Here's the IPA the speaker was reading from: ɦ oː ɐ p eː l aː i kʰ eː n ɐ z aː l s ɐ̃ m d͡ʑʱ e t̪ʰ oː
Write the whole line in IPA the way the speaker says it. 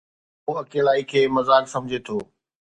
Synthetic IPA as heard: ɦ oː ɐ k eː l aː i kʰ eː m ɐ z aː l s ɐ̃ m d͡ʑʱ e t̪ʰ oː

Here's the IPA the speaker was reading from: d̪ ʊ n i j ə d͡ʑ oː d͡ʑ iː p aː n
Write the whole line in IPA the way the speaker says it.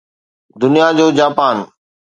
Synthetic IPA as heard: d̪ ʊ n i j a d͡ʑ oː d͡ʑ aː p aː n

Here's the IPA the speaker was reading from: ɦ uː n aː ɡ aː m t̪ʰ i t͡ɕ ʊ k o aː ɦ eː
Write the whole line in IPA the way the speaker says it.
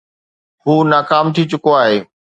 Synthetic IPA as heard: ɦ uː n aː k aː m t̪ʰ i t͡ɕ ʊ k o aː ɦ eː

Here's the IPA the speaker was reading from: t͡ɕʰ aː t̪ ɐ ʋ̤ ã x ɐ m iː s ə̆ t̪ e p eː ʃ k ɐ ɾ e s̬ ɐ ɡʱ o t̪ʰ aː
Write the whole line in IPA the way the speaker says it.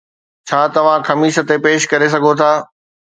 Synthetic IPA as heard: t͡ɕʰ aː t̪ ɐ ʋ̤ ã x ɐ m iː ʃ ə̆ t̪ e p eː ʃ k ɐ ɾ e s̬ ɐ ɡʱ o t̪ʰ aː

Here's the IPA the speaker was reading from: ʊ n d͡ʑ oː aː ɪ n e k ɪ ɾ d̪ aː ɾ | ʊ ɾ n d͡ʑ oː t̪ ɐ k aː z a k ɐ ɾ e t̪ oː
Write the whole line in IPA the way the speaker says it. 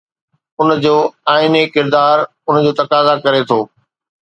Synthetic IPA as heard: ʊ n d͡ʑ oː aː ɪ n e k ɪ ɾ d̪ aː ɾ | ʊ n d͡ʑ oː t̪ ɐ k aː z a k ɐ ɾ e t̪ʰ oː

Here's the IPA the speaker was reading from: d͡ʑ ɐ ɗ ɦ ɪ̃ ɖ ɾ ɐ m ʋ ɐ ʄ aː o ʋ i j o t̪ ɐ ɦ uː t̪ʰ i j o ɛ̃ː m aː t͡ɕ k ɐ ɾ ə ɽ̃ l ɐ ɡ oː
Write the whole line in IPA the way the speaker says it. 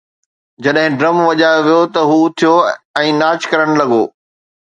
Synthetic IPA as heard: d͡ʑ ɐ ɗ ɦ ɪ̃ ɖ ɾ ɐ m ʋ ɐ ʄ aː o ʋ i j o t̪ ɐ ɦ uː t̪ʰ i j o ɛ̃ː n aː t͡ɕ k ɐ ɾ ə ɽ̃ l ɐ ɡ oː

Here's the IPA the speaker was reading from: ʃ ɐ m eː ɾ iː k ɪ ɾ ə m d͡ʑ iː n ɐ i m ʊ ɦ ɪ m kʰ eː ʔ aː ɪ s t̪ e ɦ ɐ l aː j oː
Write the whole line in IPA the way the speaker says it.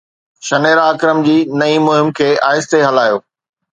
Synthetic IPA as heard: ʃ ɐ n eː ɾ aː k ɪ ɾ ə m d͡ʑ iː n ɐ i m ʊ ɦ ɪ m kʰ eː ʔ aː ɪ s t̪ e ɦ ɐ l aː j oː

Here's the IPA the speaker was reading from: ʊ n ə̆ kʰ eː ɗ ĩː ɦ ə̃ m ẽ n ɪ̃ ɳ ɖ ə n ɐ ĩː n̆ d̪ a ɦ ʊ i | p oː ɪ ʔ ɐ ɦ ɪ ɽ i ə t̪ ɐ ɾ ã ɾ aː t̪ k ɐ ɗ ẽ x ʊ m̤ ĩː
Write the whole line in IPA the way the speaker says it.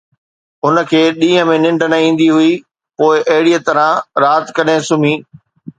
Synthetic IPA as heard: ʊ n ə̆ kʰ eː ɗ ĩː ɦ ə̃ m ẽ n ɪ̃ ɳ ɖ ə n ɐ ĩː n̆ d̪ i ɦ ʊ i | p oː ɪ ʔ ɐ ɦ ɪ ɽ i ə t̪ ɐ ɾ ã ɾ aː t̪ k ɐ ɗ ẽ s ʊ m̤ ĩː

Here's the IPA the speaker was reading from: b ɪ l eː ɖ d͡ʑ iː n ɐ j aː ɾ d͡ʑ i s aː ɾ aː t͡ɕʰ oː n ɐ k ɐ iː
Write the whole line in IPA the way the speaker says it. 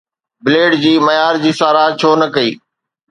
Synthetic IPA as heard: b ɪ l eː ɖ d͡ʑ iː m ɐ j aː ɾ d͡ʑ iː s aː ɾ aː t͡ɕʰ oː n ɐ k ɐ iː

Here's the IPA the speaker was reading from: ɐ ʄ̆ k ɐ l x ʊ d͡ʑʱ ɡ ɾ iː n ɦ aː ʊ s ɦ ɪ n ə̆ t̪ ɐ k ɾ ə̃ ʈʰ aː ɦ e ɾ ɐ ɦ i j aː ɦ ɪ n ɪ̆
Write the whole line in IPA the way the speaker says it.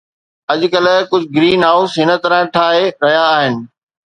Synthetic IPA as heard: ɐ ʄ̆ k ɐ l k ʊ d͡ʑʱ ɡ ɾ iː n ɦ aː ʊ s ɦ ɪ n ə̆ t̪ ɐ ɾ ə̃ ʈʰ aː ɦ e ɾ ɐ ɦ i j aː ɦ ɪ n ɪ̆

